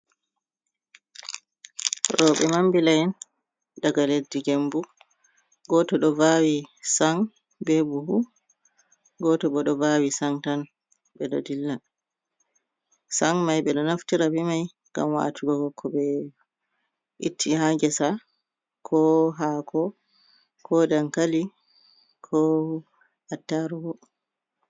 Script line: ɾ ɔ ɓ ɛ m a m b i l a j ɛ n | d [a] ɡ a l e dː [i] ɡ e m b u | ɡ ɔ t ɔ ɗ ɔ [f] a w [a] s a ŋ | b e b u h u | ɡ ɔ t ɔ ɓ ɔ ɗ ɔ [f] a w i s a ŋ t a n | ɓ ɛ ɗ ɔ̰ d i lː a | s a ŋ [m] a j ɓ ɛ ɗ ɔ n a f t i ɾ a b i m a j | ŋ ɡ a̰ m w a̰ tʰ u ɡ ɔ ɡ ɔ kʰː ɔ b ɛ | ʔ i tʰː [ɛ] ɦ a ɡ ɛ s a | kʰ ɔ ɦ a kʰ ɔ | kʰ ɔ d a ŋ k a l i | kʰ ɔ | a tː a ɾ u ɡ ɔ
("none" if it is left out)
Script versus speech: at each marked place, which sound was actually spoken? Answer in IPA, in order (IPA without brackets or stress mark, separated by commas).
a, i, v, i, v, m, i